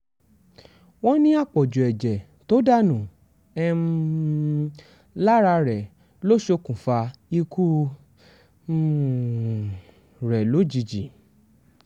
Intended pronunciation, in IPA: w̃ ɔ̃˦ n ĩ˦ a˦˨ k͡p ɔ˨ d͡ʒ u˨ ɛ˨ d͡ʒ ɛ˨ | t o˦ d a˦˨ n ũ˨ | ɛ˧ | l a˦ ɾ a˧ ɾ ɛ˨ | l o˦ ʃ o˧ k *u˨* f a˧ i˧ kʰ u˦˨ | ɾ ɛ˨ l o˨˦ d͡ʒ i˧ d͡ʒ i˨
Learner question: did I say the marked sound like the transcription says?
no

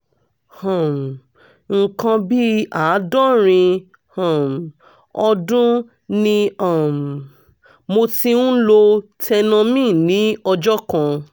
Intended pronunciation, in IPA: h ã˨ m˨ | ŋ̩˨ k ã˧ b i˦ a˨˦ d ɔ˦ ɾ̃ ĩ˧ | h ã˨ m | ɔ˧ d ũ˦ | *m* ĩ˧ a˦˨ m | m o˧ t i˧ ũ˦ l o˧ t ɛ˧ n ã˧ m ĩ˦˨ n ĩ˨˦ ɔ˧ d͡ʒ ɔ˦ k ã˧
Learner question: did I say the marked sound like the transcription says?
no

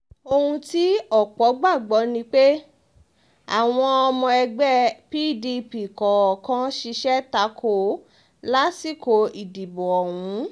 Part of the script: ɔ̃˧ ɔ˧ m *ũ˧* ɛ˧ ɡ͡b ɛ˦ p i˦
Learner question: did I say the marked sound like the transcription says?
no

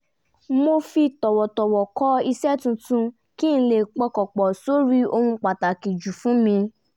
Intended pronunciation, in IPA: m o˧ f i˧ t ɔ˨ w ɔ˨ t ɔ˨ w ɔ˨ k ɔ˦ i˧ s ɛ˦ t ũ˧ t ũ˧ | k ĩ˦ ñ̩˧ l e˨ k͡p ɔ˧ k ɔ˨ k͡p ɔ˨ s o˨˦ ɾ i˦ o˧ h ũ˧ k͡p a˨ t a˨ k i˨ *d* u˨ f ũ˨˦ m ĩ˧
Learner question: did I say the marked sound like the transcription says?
no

